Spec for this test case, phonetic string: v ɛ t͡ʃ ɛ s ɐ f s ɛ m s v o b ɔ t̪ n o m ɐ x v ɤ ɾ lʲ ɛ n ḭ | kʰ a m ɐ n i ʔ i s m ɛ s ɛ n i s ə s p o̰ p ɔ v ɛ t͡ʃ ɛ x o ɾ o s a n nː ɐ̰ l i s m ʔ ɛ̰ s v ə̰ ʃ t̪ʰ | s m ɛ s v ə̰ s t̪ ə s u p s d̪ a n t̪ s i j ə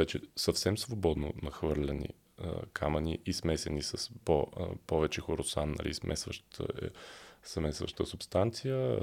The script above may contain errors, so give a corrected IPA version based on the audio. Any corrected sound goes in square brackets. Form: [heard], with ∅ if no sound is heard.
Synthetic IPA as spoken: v ɛ t͡ʃ ɛ s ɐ f s ɛ m s v o b ɔ [d̪] n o [n] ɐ x v ɤ ɾ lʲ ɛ n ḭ | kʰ a m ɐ n i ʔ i s m ɛ s ɛ n i s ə s p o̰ p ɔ v ɛ t͡ʃ ɛ x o ɾ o s a n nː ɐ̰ l i s m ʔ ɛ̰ s v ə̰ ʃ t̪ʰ | s m ɛ s v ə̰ [ʃ] t̪ ə s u p s [t̪] a n t̪ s i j ə